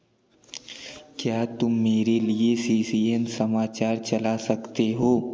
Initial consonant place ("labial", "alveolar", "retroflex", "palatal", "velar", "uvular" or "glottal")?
velar